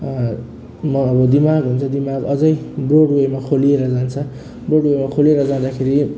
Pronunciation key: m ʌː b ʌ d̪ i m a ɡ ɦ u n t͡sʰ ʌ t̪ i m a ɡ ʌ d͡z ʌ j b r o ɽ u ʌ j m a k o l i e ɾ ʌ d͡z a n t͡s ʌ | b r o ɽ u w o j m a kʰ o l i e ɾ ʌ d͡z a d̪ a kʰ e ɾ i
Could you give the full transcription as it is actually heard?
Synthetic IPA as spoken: m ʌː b ʌ d̪ i m a ɡ ɦ u n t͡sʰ ʌ d̪ i m a ɡ ʌ d͡z ʌ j b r o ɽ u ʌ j m a kʰ o l i e ɾ ʌ d͡z a n t͡sʰ ʌ | b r o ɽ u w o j m a kʰ o l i e ɾ ʌ d͡z a d̪ a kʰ e ɾ i